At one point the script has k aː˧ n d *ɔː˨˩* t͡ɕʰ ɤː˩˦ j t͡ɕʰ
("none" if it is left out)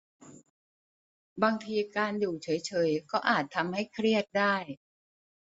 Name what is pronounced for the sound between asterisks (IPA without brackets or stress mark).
uː˨˩